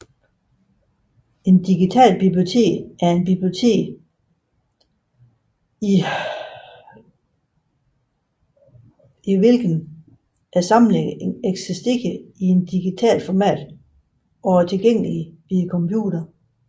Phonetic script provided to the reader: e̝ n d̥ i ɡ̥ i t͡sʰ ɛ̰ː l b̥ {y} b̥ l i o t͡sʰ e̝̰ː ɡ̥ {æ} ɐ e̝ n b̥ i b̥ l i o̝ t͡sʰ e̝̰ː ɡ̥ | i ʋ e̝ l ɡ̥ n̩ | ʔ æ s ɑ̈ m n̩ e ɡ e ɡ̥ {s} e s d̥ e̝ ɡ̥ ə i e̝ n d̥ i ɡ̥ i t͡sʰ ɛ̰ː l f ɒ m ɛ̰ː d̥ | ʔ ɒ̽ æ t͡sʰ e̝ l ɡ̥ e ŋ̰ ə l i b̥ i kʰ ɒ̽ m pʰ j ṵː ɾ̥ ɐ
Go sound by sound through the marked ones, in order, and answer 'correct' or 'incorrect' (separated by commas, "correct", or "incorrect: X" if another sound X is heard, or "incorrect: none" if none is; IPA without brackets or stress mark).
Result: incorrect: i, correct, correct